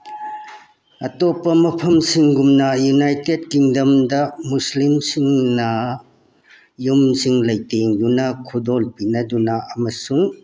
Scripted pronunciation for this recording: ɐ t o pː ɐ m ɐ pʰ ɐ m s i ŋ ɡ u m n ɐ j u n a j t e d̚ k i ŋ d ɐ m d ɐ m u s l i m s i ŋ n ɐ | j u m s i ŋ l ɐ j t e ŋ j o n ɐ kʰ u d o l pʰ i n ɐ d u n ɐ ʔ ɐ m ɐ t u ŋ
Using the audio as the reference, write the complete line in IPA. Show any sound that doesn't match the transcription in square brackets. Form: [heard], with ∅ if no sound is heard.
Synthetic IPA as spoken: ɐ t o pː ɐ m ɐ pʰ ɐ m s i ŋ ɡ u m n ɐ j u n a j t e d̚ k i ŋ d ɐ m d ɐ m u s l i m s i ŋ n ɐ | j u m s i ŋ l ɐ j t e ŋ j [u] n ɐ kʰ u d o l [p] i n ɐ d u n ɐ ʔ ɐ m ɐ [s] u ŋ